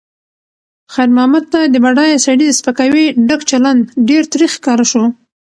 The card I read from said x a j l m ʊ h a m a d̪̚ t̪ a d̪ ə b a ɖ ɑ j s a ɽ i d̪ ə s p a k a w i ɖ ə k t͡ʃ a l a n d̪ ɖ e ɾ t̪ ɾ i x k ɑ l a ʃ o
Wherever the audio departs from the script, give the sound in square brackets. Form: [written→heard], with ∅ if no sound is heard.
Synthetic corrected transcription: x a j [l→ɾ] m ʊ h a m a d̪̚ t̪ a d̪ ə b a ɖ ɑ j s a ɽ i d̪ ə s p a k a w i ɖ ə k t͡ʃ a l a n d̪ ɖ e ɾ t̪ ɾ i x k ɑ [l→ɾ] a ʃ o